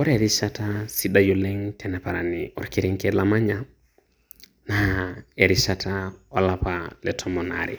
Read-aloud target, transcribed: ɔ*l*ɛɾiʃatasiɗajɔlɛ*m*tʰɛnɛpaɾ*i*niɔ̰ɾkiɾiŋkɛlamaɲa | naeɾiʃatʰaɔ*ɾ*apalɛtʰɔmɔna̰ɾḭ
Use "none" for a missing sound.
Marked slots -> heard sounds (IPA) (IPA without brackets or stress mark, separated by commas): ɾ, ŋ, a, l